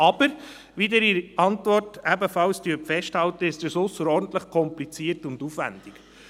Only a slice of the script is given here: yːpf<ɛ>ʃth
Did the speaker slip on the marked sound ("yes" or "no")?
no